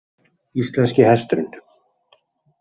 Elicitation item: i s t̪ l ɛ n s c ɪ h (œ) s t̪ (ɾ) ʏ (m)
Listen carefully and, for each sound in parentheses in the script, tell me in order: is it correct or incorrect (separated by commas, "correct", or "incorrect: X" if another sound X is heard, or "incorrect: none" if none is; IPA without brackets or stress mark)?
incorrect: ɛ, correct, incorrect: n